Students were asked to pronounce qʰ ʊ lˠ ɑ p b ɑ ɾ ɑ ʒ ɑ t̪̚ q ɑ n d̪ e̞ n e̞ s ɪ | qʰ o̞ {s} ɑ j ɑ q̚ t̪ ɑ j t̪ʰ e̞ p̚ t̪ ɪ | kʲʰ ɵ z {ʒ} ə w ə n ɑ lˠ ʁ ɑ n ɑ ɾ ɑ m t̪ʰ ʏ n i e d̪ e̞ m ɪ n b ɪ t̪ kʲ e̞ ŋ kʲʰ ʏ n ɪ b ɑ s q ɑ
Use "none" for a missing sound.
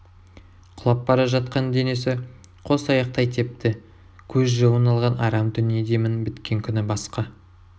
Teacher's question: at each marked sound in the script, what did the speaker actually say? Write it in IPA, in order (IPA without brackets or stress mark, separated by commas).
s, ʒ